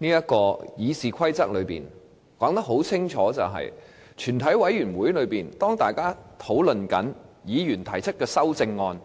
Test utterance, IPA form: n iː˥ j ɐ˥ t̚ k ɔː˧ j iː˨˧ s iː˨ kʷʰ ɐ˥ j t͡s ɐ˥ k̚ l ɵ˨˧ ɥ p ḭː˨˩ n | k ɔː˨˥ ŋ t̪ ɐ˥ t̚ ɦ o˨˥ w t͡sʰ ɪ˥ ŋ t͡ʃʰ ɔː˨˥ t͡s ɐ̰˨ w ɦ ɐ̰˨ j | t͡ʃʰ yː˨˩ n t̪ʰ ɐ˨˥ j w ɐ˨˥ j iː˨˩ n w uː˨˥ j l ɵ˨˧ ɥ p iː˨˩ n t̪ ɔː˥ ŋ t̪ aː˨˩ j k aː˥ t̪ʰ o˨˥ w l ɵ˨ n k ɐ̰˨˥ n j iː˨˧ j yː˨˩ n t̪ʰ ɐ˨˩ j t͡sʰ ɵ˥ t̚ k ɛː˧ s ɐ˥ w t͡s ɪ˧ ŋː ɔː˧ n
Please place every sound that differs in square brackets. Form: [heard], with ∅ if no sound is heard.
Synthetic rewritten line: n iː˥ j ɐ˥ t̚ k ɔː˧ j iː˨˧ s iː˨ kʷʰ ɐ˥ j t͡s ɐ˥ k̚ l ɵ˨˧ ɥ p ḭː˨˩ n | k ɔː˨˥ ŋ t̪ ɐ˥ [k̚] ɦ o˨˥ w t͡sʰ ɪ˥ ŋ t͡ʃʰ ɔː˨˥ t͡s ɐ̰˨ w ɦ ɐ̰˨ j | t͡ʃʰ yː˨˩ n t̪ʰ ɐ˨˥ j w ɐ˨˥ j [yː˨˩] n w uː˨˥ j l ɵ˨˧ ɥ p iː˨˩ n t̪ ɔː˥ ŋ t̪ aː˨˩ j k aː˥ t̪ʰ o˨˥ w l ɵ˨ n k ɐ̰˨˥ n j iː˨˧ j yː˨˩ n t̪ʰ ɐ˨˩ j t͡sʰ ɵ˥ t̚ k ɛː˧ s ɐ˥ w t͡s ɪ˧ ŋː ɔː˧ n